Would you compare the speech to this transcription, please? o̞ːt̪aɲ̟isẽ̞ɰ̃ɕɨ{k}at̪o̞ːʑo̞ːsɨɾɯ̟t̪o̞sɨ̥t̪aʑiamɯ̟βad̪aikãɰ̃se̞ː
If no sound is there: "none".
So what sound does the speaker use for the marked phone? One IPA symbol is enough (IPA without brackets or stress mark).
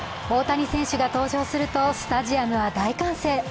ɡ